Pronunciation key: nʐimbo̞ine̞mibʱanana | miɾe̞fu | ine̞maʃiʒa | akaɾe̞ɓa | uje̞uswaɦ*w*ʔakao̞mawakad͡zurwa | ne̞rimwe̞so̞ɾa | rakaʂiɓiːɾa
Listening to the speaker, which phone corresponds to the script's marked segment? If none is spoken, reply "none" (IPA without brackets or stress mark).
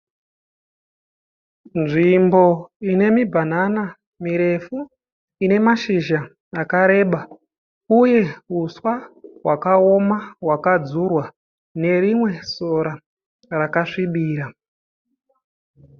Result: w